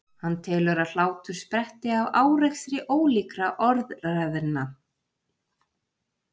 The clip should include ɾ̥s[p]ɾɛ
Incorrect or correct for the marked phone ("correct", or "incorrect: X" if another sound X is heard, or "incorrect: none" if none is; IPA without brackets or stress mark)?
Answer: correct